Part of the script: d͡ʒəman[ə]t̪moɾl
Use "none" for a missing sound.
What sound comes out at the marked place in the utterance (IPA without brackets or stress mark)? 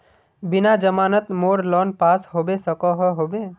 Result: ə